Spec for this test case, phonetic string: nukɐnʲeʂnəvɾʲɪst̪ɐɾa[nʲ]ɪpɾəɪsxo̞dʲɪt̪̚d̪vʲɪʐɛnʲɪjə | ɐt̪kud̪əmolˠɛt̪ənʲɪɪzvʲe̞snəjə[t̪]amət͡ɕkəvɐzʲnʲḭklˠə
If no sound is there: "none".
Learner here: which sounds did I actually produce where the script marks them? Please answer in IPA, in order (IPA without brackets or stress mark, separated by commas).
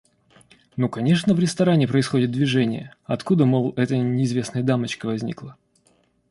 nʲ, d̪